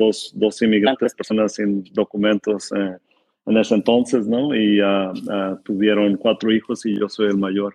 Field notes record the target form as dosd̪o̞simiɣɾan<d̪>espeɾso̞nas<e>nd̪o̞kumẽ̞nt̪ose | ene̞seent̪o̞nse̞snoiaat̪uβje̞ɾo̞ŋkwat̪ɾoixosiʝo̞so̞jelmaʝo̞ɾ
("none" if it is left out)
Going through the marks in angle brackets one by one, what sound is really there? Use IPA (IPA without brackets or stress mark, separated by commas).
t̪, i